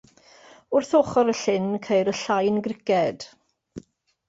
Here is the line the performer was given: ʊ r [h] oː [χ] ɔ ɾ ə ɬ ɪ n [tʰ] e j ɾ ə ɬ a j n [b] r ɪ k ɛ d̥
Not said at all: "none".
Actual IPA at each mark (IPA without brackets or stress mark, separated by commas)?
θ, χ, kʰ, ɡ